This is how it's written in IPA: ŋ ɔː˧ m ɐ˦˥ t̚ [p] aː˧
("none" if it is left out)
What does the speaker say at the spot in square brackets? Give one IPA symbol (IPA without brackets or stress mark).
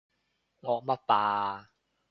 p